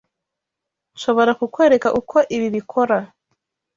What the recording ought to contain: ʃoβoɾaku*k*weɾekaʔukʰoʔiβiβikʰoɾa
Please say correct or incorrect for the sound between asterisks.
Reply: correct